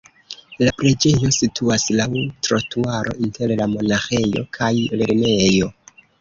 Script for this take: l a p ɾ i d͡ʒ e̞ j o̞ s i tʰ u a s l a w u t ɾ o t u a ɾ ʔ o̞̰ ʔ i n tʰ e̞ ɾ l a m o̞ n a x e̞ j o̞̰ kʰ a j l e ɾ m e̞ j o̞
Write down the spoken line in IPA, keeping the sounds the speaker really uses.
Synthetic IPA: l a p ɾ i d͡ʒ e̞ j o̞ s i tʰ u a s l a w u t ɾ o t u a ɾ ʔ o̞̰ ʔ i n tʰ e̞ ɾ l a m o̞ n a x e̞ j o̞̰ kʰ a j l e ɾ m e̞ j o̞